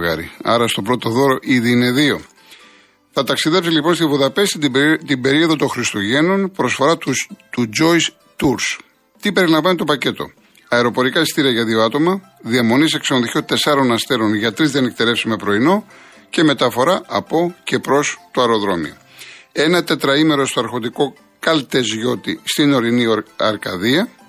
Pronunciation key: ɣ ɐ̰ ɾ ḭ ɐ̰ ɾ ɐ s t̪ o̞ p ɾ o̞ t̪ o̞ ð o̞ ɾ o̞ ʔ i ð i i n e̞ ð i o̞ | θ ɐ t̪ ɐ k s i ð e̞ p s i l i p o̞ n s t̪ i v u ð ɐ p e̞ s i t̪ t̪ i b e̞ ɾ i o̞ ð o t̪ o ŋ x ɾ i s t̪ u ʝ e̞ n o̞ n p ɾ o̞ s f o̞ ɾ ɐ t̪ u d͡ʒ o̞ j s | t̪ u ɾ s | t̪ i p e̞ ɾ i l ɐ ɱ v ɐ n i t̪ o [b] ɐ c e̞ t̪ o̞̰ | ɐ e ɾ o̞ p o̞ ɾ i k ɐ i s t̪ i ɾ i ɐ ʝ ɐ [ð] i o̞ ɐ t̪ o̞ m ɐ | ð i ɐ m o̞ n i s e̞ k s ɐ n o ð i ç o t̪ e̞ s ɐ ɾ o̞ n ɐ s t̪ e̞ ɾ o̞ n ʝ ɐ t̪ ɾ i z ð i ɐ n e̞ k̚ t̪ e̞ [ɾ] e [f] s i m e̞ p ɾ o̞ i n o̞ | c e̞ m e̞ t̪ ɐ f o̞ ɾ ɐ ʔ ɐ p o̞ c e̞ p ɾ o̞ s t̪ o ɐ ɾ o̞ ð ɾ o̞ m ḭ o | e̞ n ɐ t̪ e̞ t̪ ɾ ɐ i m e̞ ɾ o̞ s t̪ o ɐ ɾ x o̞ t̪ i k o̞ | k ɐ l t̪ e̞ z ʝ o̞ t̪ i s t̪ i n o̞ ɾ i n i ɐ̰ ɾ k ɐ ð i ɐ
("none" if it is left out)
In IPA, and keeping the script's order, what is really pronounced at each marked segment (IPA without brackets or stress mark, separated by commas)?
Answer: p, ð, l, f